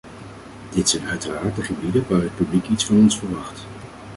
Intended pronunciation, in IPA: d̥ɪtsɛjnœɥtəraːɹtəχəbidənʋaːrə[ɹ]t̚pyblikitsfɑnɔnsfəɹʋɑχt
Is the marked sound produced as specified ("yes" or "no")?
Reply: no